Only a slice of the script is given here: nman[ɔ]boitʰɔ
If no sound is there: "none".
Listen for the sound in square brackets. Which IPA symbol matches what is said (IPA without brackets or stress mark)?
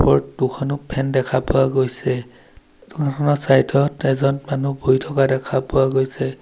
u